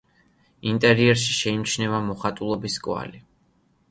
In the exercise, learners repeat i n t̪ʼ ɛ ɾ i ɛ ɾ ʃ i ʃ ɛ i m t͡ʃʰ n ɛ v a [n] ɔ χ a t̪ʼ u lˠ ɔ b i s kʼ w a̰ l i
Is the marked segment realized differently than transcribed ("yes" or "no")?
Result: yes